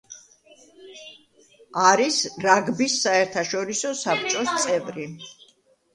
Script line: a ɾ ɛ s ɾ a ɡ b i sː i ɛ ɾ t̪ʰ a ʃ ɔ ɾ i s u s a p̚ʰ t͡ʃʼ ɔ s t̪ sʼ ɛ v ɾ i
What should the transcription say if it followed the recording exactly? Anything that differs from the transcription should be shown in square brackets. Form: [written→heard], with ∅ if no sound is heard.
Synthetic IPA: a ɾ [ɛ→i] s ɾ a ɡ b i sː [i→a] ɛ ɾ t̪ʰ a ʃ ɔ ɾ i s [u→ɔ] s a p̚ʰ t͡ʃʼ ɔ s t̪ sʼ ɛ v ɾ i